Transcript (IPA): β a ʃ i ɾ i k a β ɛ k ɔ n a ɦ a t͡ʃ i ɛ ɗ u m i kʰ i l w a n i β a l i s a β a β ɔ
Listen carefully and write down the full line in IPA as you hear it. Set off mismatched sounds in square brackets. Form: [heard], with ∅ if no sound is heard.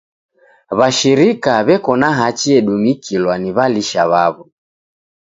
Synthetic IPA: β a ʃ i ɾ i k a β ɛ k ɔ n a ɦ a t͡ʃ i ɛ ɗ u m i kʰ i l w a n i β a l i [ʃ] a β a β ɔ